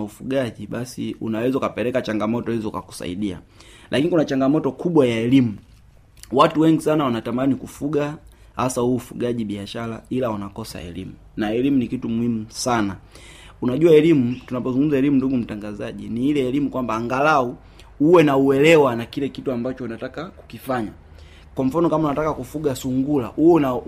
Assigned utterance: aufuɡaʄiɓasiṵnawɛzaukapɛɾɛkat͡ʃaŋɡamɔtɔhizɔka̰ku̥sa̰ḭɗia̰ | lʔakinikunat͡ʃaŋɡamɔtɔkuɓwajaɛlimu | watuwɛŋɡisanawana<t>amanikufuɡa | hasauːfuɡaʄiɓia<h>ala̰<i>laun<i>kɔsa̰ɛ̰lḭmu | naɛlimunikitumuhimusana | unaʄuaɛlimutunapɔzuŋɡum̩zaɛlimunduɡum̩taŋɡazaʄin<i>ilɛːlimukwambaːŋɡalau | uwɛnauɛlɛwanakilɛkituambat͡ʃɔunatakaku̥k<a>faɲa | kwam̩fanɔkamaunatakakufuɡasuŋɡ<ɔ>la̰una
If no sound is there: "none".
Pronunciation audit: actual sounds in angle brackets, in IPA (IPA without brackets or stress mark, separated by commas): t, ʃ, i, a, i, i, u